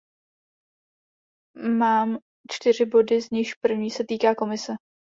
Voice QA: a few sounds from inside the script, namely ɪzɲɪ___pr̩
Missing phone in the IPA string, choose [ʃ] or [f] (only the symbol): ʃ